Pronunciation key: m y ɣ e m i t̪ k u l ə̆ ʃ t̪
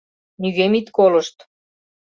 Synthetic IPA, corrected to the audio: n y ɣ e m i t̪ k o l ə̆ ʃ t̪